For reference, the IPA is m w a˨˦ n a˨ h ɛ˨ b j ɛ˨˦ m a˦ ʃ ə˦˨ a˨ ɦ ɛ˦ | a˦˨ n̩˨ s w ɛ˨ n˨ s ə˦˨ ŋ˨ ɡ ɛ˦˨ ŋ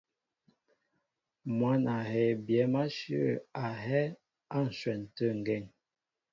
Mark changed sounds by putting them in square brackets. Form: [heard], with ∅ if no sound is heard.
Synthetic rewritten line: m w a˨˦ n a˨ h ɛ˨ b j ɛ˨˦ m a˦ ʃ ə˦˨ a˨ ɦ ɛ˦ | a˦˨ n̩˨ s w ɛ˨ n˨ [t] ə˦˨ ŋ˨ ɡ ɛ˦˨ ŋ